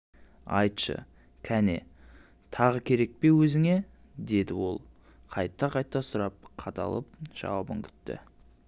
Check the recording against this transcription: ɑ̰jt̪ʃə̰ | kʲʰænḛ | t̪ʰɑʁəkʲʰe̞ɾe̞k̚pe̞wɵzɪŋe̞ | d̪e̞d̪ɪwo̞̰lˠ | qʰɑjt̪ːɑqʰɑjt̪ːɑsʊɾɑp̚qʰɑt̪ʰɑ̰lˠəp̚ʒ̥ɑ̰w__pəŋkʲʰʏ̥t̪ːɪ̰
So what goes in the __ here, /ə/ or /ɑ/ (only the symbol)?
ɑ